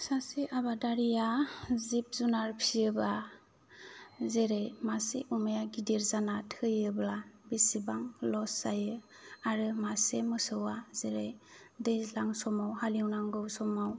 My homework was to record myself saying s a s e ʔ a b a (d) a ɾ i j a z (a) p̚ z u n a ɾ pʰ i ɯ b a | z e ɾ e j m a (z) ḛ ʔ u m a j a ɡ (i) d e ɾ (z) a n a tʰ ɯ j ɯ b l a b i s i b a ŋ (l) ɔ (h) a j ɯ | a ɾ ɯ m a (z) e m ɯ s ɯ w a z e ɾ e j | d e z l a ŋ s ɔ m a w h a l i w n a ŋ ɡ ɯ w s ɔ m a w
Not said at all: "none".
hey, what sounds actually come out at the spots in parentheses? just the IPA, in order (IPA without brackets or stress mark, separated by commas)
d, i, s, i, z, l, s, s